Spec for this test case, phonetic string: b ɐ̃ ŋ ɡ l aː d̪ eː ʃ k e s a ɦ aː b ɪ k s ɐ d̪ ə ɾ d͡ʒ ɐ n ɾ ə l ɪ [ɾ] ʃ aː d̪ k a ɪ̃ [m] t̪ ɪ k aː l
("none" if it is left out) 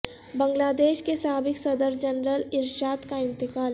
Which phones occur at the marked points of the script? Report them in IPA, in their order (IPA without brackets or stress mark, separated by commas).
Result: ɾ, n